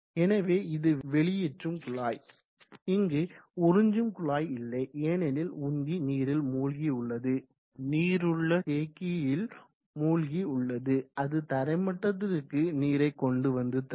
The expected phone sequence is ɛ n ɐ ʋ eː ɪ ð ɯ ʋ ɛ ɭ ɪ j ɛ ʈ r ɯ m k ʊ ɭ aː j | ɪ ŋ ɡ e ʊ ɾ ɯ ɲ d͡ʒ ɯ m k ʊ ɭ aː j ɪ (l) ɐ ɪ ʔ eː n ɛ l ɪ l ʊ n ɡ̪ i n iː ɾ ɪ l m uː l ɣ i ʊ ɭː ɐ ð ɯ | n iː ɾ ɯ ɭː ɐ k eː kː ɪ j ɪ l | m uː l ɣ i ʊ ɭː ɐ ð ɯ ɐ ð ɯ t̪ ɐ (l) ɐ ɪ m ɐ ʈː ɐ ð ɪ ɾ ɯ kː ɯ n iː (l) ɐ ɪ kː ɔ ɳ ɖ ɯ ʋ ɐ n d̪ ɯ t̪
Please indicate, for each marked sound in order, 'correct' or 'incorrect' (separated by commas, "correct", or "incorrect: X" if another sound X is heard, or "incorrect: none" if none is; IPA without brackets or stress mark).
incorrect: lː, incorrect: ɾ, incorrect: ɾ